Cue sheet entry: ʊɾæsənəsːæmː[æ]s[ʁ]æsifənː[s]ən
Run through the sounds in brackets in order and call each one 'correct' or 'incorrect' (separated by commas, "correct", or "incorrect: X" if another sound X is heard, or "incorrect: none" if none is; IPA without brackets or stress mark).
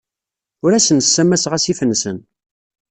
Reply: correct, correct, correct